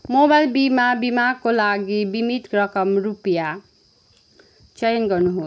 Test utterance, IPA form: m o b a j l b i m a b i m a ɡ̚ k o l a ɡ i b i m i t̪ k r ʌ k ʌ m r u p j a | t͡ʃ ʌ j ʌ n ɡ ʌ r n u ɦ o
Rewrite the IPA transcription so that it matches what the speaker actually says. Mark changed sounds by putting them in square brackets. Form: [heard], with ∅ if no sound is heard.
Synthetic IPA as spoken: m o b a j l b i m a b i m a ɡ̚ k o l a ɡ i b i m i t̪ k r ʌ k ʌ m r u p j a | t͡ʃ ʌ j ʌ n ɡ ʌ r n u ɦ o

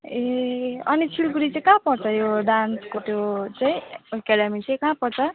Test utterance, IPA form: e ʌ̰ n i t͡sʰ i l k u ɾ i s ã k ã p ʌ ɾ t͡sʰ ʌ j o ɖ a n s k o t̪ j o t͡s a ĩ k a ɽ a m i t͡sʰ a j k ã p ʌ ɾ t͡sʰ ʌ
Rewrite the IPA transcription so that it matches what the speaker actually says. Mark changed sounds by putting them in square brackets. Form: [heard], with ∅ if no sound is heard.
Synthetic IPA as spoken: e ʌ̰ n i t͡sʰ i l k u ɾ i [t͡s] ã k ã p ʌ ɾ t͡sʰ ʌ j o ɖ a n s k o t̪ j o t͡s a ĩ k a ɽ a m i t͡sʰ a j k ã p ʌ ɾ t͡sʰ ʌ

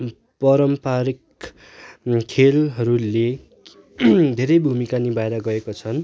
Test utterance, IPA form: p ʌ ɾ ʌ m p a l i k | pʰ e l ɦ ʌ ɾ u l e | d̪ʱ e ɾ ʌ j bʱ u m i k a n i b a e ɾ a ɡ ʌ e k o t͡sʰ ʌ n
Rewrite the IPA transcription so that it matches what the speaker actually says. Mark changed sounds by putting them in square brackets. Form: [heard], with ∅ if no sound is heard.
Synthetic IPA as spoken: p ʌ ɾ ʌ m p a [ɾ] i k | [kʰ] e l ɦ ʌ ɾ u l e | d̪ʱ e ɾ ʌ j bʱ u m i k a n i b a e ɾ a ɡ ʌ e k o t͡sʰ ʌ n

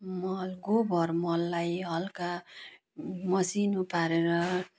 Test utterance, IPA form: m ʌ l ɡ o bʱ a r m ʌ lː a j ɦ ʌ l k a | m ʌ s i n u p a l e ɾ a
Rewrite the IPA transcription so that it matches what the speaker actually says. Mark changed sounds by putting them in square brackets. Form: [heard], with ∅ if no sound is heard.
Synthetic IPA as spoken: m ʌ l ɡ o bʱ [ʌ] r m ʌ lː a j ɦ ʌ l k a | m ʌ s i n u p a [ɾ] e ɾ [ʌ]

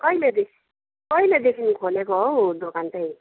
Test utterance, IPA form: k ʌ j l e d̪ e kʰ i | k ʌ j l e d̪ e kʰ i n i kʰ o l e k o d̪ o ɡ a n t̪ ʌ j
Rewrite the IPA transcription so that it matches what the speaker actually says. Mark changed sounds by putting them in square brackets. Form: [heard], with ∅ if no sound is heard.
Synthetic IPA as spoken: k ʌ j l e d̪ e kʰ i | k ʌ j l e d̪ e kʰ i n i kʰ o l e k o d̪ o [k] a n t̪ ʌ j

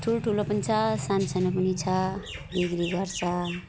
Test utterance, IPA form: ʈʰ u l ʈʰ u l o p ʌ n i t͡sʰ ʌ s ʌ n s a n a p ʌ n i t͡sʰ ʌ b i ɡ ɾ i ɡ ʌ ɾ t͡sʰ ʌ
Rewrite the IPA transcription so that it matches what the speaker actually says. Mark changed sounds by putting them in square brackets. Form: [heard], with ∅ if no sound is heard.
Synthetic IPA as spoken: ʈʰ u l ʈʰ u l o p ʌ n i t͡sʰ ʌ s [a] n s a n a p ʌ n i t͡sʰ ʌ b i ɡ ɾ i ɡ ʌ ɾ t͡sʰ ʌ

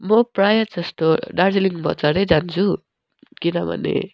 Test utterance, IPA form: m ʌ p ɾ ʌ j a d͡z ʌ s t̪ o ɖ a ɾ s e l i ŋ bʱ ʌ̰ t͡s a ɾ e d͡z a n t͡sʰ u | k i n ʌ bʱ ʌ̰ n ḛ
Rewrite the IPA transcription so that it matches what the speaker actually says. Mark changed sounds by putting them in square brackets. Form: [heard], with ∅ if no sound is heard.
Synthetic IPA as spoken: m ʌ p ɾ [a] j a d͡z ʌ s t̪ o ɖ a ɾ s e l i ŋ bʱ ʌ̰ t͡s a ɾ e d͡z a n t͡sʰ u | k i n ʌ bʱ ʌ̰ n ḛ

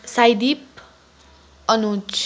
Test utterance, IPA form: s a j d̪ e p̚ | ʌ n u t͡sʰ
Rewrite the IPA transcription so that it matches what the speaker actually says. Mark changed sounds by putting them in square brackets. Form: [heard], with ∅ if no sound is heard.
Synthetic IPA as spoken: s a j d̪ [i] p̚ | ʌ n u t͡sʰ

